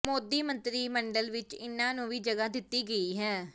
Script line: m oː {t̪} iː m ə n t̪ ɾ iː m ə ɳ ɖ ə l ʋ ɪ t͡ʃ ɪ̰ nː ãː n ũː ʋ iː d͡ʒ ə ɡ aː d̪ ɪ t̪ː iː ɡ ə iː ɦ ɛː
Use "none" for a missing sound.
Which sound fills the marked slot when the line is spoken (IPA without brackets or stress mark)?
d̪